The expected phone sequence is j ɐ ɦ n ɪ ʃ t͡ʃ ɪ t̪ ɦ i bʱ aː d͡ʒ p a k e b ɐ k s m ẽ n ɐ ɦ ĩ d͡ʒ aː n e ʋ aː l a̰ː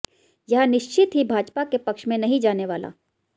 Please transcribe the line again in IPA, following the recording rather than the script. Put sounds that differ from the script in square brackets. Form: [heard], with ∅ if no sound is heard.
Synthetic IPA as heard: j ɐ ɦ n ɪ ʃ t͡ʃ ɪ t̪ ɦ i bʱ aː d͡ʒ p a k e [p] ɐ k [ʃ] m ẽ n ɐ ɦ ĩ d͡ʒ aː n e ʋ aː l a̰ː